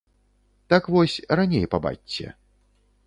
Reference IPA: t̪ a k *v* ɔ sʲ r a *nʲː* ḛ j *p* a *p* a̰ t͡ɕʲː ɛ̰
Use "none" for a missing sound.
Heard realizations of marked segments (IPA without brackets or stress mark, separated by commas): v, nʲ, p, b